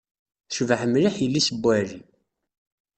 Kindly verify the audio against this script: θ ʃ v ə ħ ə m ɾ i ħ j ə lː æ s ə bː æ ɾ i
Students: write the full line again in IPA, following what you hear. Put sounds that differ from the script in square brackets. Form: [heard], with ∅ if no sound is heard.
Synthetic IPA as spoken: θ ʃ v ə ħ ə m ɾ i ħ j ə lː [i] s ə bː æ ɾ i